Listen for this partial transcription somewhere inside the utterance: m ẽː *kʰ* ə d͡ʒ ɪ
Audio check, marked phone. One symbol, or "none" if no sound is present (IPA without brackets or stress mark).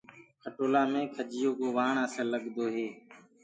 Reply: kʰ